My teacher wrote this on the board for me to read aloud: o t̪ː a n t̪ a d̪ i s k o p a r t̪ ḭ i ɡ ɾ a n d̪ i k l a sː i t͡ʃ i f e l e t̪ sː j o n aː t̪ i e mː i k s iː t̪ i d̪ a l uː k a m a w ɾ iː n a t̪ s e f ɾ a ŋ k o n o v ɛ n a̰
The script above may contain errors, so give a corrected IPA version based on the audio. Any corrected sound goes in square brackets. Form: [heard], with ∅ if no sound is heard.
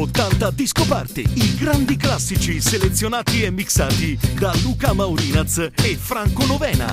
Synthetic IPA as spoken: o t̪ː a n t̪ a d̪ i s k o p a r t̪ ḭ i ɡ ɾ a n d̪ i k l a sː i t͡ʃ i [s] e l e t̪ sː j o n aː t̪ i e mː i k s [aː] t̪ i d̪ a l uː k a m a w ɾ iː n a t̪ s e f ɾ a ŋ k o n o v [ɛː] n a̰